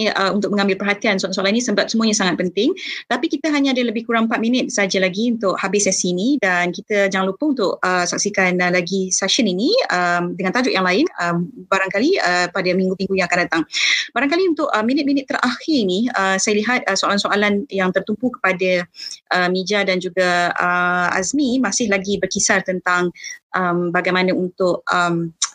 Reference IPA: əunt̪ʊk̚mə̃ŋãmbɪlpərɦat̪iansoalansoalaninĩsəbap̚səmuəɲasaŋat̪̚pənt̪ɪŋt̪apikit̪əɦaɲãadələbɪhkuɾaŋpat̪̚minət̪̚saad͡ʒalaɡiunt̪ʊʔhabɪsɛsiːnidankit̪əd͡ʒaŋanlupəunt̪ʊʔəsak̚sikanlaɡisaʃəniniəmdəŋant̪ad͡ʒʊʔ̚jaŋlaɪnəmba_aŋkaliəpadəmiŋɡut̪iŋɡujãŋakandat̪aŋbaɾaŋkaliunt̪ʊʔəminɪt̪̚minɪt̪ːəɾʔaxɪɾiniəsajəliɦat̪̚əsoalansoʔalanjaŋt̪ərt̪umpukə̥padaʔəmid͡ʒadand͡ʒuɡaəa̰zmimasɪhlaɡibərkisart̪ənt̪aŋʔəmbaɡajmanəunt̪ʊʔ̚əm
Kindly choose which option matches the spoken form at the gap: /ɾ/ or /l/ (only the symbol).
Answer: ɾ